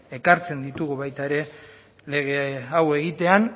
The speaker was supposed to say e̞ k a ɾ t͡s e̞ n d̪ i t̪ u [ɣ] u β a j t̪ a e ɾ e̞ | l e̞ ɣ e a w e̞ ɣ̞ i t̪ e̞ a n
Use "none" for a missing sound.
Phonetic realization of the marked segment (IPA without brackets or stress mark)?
ɣ